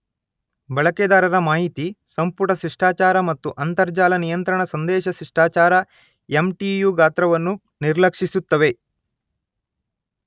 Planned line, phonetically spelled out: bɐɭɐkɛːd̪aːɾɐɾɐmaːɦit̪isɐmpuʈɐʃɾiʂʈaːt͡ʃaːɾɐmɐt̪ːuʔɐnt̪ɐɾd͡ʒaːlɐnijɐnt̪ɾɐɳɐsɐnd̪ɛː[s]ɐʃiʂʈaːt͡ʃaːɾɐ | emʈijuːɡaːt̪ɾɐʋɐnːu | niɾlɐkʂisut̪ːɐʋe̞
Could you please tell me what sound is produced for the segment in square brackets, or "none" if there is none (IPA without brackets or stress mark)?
ʃ